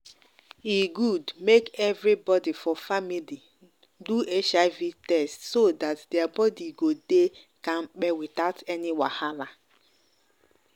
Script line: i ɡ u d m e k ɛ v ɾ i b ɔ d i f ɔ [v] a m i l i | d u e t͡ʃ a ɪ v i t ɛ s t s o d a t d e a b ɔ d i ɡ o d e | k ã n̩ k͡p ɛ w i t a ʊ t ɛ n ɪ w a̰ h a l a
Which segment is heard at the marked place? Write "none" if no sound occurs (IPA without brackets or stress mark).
f